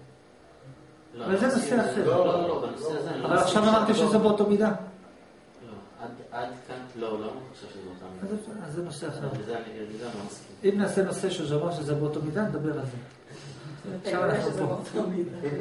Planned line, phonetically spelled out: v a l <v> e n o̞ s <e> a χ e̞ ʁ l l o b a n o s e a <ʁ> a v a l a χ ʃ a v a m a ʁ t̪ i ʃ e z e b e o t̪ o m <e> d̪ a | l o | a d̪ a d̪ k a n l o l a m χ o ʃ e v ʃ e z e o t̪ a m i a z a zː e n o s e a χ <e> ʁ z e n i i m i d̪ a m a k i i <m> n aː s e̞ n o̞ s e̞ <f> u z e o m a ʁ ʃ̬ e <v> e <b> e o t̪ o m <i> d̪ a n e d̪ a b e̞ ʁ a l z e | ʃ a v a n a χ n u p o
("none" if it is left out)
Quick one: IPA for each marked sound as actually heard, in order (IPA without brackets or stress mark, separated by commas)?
z, e, z, i, e, m, ʃ, z, b, i